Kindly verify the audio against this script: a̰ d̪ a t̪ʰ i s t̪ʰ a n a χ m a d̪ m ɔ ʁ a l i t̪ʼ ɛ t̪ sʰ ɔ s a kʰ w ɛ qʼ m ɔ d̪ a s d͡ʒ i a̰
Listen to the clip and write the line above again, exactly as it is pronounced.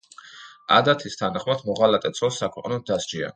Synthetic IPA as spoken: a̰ d̪ a t̪ʰ i s t̪ʰ a n a χ m a d̪ m ɔ ʁ a l a t̪ʼ ɛ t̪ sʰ ɔ s a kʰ w ɛ qʼ n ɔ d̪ a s d͡ʒ i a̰

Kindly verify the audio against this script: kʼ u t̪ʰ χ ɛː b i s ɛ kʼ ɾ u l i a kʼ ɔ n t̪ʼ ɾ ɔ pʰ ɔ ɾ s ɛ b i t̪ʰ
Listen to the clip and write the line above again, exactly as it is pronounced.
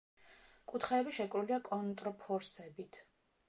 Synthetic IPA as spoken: kʼ u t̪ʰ χ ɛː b i ʃ ɛ kʼ ɾ u l i a kʼ ɔ n t̪ʼ ɾ ɔ pʰ ɔ ɾ s ɛ b i t̪ʰ

